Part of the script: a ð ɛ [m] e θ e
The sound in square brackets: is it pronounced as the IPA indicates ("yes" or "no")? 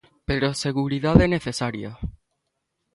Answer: no